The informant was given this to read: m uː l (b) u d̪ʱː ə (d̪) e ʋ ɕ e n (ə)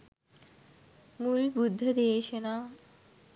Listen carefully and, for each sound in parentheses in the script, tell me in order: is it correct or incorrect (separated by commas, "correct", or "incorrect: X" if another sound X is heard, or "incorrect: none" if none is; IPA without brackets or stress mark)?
correct, correct, incorrect: a